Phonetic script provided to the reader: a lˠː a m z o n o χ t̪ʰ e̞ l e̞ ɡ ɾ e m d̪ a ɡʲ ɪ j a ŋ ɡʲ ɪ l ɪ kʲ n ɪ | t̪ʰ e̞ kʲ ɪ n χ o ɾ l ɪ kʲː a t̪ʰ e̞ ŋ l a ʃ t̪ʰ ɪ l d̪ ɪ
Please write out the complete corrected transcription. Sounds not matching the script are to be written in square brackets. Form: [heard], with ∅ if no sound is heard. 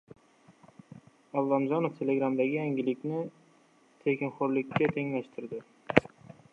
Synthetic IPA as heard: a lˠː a m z [ɒ] n o [f] t̪ʰ e̞ l e̞ ɡ ɾ [a] m d̪ a ɡʲ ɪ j a ŋ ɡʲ ɪ l ɪ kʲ n ɪ | t̪ʰ e̞ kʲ ɪ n χ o ɾ l ɪ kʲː a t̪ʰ e̞ ŋ l a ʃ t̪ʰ ɪ [ɾ] d̪ ɪ

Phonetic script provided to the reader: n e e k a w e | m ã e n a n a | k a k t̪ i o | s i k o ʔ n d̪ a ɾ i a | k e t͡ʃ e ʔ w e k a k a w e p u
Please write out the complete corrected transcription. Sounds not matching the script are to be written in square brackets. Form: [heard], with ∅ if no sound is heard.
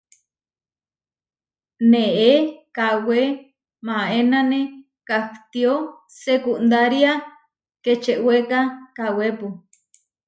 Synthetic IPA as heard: n e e k a w e | m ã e n a n [e] | k a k t̪ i o | s [e] k [u] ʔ n d̪ a ɾ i a | k e t͡ʃ e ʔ w e k a k a w e p u

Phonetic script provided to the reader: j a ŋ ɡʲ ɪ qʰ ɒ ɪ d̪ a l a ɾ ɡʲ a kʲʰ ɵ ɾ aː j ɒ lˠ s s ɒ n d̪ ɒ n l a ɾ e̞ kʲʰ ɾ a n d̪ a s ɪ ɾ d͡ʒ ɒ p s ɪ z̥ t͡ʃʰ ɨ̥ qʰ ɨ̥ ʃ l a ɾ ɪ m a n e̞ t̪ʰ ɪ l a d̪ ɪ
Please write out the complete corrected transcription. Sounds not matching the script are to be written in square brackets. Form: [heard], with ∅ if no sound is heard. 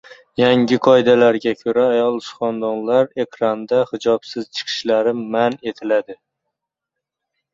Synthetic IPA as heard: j a ŋ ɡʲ ɪ qʰ ɒ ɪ d̪ a l a ɾ ɡʲ a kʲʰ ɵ ɾ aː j ɒ lˠ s [χ] ɒ n d̪ ɒ n l a ɾ e̞ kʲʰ ɾ a n d̪ a [h] ɪ [∅] d͡ʒ ɒ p s ɪ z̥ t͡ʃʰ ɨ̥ qʰ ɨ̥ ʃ l a ɾ ɪ m a n e̞ t̪ʰ ɪ l a d̪ ɪ

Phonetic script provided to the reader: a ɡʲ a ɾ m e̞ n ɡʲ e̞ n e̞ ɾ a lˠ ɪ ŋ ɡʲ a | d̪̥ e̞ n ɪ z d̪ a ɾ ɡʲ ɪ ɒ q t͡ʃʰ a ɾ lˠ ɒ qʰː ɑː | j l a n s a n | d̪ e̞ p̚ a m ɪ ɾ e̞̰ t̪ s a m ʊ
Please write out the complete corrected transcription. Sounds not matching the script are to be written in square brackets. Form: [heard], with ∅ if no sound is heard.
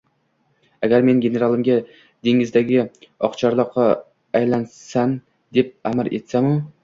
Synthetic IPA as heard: a ɡʲ a ɾ m e̞ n ɡʲ e̞ n e̞ ɾ a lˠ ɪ [m] ɡʲ a | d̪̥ e̞ [ŋ] ɪ z d̪ a [∅] ɡʲ ɪ ɒ q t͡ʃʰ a ɾ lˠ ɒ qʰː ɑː | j l a n s a n | d̪ e̞ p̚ a m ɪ ɾ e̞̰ t̪ s a m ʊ

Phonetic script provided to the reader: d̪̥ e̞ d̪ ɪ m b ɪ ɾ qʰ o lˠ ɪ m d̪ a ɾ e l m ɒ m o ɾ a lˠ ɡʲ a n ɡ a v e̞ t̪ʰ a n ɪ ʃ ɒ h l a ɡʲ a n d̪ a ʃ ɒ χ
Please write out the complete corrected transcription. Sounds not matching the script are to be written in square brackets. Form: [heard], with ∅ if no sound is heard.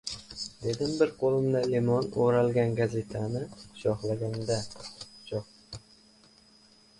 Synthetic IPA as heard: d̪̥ e̞ d̪ ɪ m b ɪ ɾ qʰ o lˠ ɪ m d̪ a [l] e [∅] m ɒ [n] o ɾ a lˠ ɡʲ a n ɡ a [z] e̞ t̪ʰ a n ɪ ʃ ɒ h l a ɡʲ a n d̪ a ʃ ɒ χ

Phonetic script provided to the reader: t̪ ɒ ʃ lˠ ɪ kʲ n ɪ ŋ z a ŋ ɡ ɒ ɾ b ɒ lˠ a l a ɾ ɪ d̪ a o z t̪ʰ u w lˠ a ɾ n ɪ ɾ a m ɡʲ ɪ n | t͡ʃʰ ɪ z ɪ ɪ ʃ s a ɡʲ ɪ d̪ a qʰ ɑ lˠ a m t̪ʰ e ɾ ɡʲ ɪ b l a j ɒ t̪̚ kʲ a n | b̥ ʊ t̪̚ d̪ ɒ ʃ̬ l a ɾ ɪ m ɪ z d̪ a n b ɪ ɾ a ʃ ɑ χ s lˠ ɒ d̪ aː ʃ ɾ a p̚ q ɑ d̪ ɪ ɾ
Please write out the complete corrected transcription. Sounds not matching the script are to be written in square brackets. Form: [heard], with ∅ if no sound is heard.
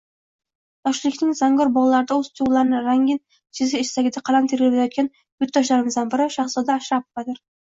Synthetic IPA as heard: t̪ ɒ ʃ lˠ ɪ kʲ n ɪ ŋ z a ŋ ɡ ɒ ɾ b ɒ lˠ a l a ɾ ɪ d̪ a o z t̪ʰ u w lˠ a ɾ n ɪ ɾ a [ŋ] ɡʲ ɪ n | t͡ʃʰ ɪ z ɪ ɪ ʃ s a ɡʲ ɪ d̪ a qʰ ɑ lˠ a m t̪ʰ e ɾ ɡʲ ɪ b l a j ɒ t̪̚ kʲ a n | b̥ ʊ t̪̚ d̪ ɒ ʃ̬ l a ɾ ɪ m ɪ z d̪ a n b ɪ ɾ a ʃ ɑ χ s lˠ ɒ d̪ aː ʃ ɾ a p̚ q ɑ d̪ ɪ ɾ

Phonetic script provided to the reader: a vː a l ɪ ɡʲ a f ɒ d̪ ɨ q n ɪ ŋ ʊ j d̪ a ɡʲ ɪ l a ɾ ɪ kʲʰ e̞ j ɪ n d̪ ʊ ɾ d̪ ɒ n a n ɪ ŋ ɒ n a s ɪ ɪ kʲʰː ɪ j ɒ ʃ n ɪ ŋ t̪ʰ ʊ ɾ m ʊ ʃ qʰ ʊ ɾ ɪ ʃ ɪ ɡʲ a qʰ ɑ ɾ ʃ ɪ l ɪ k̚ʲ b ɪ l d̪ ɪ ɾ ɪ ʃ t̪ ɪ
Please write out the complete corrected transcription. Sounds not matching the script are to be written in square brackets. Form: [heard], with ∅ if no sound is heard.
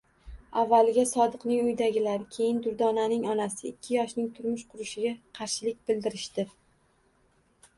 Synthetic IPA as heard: a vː a l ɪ ɡʲ a [s] ɒ d̪ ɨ q n ɪ ŋ ʊ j d̪ a ɡʲ ɪ l a ɾ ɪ kʲʰ e̞ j ɪ n d̪ ʊ ɾ d̪ ɒ n a n ɪ ŋ ɒ n a s ɪ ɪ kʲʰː ɪ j ɒ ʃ n ɪ ŋ t̪ʰ ʊ ɾ m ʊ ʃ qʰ ʊ ɾ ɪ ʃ ɪ ɡʲ a qʰ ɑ ɾ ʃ ɪ l ɪ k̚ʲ b ɪ l d̪ ɪ ɾ ɪ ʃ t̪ ɪ

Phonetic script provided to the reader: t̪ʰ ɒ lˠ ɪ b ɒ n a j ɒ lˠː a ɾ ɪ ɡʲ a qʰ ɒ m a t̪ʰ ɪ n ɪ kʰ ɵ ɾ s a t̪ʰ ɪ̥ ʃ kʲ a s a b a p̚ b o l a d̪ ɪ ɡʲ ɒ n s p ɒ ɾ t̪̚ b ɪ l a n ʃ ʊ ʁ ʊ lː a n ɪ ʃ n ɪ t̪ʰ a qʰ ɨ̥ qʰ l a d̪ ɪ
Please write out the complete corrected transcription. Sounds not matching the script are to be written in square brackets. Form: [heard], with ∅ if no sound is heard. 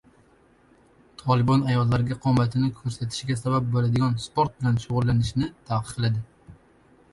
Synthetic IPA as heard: t̪ʰ ɒ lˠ ɪ b ɒ n a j ɒ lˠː a ɾ ɪ ɡʲ a qʰ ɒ m a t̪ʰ ɪ n ɪ kʰ ɵ ɾ s a t̪ʰ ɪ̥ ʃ [ɡʲ] a s a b a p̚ b o l a d̪ ɪ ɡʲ ɒ n s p [o] ɾ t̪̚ b ɪ l a n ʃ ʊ ʁ ʊ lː a n ɪ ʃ n ɪ t̪ʰ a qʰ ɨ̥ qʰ l a d̪ ɪ

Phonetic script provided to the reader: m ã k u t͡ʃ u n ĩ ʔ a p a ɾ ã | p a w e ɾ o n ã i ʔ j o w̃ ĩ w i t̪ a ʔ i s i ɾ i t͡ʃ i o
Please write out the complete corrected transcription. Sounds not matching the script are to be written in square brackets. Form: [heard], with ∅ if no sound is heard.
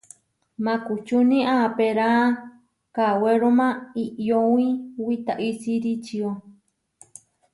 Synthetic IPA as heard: m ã k u t͡ʃ u n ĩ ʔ a p [e] ɾ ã | [k] a w e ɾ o [m] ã i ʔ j o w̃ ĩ w i t̪ a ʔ i s i ɾ i t͡ʃ i o

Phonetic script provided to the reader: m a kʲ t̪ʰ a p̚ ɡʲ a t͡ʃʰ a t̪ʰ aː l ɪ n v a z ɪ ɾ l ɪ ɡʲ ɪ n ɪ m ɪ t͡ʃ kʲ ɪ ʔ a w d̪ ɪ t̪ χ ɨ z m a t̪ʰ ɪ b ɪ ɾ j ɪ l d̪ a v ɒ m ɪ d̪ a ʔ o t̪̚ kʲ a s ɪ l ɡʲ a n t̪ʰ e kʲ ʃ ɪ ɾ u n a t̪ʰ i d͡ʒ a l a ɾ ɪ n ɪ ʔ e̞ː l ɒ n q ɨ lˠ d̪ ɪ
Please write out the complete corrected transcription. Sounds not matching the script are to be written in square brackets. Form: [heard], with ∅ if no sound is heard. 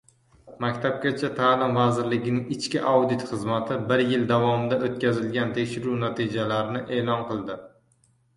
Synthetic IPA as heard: m a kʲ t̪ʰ a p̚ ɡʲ a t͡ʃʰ a t̪ʰ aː l ɪ [m] v a z ɪ ɾ l ɪ ɡʲ ɪ n ɪ [ŋ] ɪ t͡ʃ kʲ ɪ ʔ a w d̪ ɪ t̪ χ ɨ z m a t̪ʰ ɪ b ɪ ɾ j ɪ l d̪ a v ɒ m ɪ d̪ a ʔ o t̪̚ kʲ a [z] ɪ l ɡʲ a n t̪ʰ e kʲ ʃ ɪ ɾ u n a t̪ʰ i d͡ʒ a l a ɾ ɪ n ɪ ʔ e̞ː l ɒ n q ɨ lˠ d̪ ɪ

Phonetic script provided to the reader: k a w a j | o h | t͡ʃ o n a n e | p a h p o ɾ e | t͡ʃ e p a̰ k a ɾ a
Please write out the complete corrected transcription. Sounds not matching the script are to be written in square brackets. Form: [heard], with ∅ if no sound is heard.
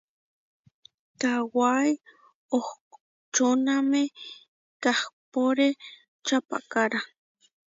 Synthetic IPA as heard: k a w a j | o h | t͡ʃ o n a [m] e | [k] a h p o ɾ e | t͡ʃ [a] p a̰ k a ɾ a

